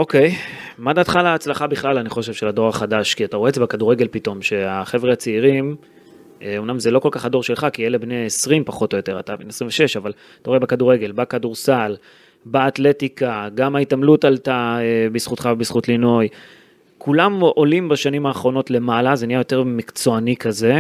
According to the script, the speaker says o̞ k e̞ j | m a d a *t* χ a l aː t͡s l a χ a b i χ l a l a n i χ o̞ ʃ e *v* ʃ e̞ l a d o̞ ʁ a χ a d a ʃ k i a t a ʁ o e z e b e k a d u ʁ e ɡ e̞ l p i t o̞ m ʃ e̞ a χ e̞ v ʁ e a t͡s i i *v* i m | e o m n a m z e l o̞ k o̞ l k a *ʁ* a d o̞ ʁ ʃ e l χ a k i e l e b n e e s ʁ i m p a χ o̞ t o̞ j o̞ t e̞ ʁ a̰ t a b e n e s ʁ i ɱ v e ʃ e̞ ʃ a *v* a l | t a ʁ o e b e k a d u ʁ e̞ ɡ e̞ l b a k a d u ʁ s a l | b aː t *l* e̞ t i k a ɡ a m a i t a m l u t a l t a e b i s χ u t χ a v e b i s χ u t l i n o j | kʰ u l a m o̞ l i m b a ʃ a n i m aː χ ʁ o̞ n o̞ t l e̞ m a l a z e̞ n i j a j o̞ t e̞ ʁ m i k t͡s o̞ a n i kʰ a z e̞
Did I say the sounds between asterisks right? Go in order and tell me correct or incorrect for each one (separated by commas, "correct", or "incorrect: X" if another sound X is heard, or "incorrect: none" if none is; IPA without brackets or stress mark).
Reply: correct, correct, incorrect: ʁ, incorrect: χ, correct, correct